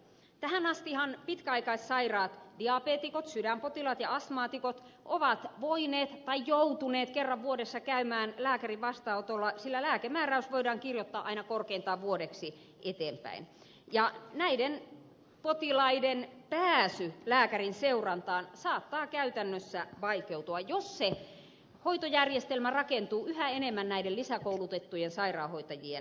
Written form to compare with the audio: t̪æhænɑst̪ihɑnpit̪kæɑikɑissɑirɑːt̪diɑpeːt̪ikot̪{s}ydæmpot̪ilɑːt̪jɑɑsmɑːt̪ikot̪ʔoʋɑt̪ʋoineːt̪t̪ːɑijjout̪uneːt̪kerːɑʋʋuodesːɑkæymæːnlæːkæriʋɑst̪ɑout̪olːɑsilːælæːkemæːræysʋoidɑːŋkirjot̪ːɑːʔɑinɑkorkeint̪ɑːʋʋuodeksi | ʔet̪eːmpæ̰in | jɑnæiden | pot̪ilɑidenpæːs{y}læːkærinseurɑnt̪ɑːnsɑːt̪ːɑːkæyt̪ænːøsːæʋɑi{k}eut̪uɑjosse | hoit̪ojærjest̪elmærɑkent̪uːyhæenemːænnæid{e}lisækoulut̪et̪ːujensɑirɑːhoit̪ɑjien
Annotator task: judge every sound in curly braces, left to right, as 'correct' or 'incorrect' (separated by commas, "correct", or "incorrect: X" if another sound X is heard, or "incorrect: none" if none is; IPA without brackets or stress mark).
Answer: correct, correct, correct, correct